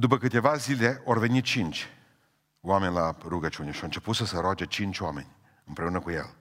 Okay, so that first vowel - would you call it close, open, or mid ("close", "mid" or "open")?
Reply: close